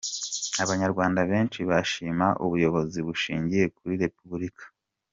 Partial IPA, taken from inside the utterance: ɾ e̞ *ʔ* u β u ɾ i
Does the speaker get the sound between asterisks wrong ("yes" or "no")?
yes